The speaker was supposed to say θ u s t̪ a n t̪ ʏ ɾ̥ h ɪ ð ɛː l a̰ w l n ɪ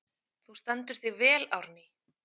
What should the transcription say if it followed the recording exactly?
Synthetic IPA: θ u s t̪ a n t̪ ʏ ɾ̥ θ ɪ v ɛː l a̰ w ɾ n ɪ